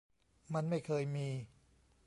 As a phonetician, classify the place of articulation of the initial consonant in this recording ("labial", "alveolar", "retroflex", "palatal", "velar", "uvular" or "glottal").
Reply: labial